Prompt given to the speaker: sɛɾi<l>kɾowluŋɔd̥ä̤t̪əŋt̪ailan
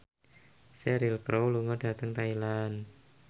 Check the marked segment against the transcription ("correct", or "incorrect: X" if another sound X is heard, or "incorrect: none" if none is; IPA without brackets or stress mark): correct